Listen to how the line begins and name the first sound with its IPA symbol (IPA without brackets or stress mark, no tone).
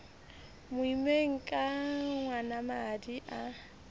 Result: m